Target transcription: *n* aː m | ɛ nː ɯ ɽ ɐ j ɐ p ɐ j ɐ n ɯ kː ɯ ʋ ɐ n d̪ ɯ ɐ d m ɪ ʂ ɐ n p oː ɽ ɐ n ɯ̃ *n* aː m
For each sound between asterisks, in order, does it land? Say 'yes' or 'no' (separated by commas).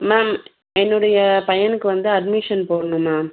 no, no